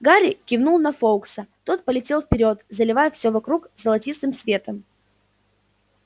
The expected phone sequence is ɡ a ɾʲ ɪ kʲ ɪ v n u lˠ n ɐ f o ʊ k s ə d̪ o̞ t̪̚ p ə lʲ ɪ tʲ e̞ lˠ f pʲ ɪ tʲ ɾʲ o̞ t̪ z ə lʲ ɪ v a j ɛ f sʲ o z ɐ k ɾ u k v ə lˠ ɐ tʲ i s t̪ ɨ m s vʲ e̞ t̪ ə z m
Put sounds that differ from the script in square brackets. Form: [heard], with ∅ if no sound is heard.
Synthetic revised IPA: ɡ a ɾʲ ɪ kʲ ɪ v n u lˠ n ɐ f o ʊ k s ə [t̪] o̞ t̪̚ p ə lʲ ɪ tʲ e̞ lˠ f pʲ ɪ [∅] ɾʲ o̞ t̪ z ə lʲ ɪ v a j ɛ f sʲ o [v] ɐ k ɾ u k [z] ə lˠ ɐ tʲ i s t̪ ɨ m s vʲ e̞ t̪ ə [∅] m